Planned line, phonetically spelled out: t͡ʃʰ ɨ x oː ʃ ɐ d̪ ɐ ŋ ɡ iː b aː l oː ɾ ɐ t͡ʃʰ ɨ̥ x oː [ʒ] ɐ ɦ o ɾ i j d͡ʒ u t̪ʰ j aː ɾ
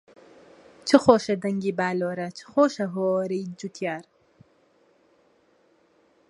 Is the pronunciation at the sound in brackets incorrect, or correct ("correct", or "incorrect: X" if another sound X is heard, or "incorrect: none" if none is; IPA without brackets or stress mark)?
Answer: incorrect: ʃ